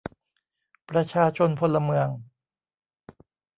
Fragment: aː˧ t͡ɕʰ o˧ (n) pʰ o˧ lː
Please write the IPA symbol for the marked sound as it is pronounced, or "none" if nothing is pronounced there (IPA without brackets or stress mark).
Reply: n